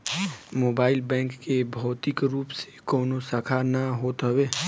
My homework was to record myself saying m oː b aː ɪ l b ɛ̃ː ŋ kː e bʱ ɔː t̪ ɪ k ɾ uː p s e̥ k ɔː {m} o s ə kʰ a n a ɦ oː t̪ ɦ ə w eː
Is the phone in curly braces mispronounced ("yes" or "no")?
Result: yes